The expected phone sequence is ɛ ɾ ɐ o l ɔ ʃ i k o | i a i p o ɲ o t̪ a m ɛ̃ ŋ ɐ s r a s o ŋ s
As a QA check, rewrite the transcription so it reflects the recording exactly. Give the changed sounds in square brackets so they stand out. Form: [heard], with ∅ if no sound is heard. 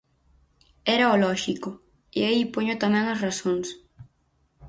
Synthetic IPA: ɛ ɾ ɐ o l ɔ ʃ i k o | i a i p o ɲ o t̪ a m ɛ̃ ŋ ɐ s r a s o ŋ s